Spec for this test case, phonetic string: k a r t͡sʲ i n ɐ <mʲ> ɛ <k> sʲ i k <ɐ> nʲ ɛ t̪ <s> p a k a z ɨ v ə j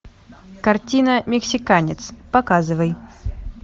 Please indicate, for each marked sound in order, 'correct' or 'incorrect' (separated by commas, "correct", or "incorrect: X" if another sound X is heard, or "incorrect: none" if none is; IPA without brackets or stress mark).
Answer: correct, correct, incorrect: a, correct